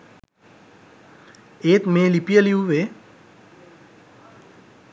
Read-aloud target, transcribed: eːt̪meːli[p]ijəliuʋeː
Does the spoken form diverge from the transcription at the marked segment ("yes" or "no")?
no